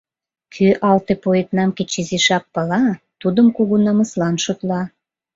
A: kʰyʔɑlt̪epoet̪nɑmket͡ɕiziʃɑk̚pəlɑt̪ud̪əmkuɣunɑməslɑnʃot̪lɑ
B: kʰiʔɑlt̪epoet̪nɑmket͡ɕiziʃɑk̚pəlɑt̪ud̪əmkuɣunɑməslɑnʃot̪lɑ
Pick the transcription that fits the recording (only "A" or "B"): A